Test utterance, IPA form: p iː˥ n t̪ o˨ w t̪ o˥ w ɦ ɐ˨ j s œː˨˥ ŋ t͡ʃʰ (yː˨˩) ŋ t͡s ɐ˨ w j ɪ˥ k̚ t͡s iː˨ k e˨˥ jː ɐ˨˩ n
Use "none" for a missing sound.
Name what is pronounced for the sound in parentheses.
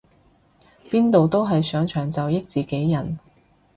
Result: œː˨˩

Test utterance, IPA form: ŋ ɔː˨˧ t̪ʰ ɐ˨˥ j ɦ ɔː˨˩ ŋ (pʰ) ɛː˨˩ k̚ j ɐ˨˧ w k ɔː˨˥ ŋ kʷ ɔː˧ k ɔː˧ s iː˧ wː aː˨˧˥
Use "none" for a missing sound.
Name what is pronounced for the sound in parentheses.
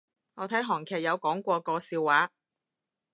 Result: kʰ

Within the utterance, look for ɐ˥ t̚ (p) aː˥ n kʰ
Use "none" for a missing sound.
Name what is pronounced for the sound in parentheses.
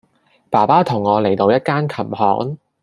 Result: k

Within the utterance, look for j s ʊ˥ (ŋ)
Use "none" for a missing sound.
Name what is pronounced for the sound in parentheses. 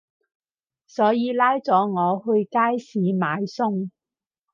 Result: ŋ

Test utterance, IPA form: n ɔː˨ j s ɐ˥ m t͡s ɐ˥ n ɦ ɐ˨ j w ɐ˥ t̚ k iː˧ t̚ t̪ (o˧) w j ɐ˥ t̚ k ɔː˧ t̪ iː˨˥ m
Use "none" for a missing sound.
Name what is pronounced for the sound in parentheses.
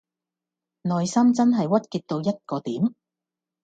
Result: o˧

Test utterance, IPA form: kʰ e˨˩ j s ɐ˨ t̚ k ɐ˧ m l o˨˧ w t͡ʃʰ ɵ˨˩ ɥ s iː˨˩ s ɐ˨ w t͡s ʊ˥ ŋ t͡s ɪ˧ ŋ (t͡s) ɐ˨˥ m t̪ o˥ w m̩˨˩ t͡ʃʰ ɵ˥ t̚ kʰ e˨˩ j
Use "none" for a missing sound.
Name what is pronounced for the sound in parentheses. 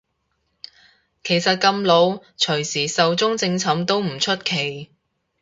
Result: t͡sʰ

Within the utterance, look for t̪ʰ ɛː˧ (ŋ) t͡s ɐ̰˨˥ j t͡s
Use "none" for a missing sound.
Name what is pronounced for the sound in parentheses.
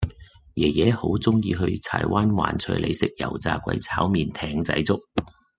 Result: ŋ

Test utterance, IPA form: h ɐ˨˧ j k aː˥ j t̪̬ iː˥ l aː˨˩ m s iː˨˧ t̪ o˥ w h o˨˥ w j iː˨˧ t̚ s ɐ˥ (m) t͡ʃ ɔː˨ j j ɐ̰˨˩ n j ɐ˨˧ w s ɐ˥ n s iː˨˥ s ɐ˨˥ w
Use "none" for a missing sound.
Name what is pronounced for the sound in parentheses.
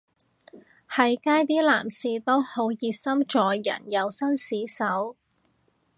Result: m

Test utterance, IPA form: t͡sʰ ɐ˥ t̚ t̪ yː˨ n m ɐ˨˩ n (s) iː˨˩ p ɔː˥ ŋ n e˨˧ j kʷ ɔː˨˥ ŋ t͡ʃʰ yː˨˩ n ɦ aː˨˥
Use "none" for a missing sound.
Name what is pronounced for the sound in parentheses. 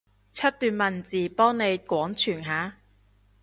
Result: t͡s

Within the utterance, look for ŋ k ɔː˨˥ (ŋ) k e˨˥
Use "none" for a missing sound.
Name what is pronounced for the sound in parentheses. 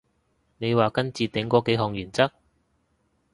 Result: none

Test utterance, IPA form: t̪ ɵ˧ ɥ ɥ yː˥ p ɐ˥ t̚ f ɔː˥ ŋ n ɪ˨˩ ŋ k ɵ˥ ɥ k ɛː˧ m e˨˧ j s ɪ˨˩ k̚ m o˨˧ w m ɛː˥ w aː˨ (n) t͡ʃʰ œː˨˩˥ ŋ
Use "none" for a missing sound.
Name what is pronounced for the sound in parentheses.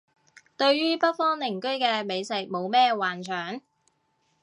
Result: n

